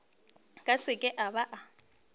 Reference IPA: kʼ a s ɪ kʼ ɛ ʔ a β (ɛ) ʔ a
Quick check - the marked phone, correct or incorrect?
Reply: incorrect: a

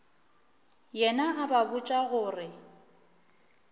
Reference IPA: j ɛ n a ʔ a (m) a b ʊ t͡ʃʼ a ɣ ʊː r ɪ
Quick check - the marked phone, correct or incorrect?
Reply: incorrect: b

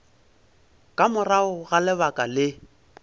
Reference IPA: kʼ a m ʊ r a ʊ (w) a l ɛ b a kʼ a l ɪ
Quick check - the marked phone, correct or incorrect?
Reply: incorrect: ɣ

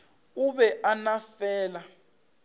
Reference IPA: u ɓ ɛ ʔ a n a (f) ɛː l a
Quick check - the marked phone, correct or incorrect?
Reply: correct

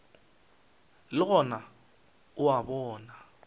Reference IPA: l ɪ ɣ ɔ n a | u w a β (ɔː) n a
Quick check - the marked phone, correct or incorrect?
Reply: correct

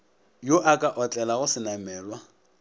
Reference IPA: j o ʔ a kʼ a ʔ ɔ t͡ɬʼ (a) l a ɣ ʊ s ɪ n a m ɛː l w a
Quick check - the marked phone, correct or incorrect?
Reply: incorrect: ɛ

